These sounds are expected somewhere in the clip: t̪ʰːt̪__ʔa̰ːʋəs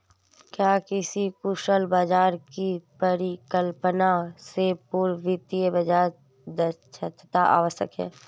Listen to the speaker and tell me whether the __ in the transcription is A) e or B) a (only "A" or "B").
B